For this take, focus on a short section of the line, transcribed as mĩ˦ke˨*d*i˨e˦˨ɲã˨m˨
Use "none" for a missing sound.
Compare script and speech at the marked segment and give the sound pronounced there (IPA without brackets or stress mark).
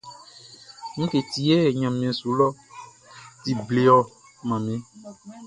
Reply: t